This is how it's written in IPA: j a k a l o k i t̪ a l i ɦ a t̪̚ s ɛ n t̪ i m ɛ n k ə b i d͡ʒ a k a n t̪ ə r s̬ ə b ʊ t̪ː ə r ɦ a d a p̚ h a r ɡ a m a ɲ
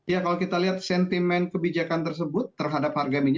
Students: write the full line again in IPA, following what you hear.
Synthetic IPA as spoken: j a k a l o k i t̪ a l i ɦ a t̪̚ s ɛ n t̪ i m ɛ n k ə b i d͡ʒ a k a n t̪ ə r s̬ ə b ʊ t̪ː ə r ɦ a d a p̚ h a r ɡ a m i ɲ